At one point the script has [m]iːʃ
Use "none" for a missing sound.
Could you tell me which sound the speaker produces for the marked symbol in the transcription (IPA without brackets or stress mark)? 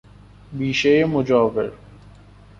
b